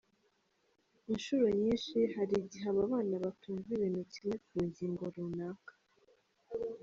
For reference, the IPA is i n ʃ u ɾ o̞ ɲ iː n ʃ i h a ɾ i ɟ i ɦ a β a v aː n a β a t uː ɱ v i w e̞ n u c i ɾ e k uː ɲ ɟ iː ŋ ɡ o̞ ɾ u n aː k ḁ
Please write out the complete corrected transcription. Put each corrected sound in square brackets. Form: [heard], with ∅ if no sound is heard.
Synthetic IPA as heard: i n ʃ u ɾ o̞ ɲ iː n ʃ i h a ɾ i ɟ i ɦ a β a [β] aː n a β a t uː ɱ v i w e̞ n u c i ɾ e k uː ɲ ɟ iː ŋ ɡ o̞ ɾ u n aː k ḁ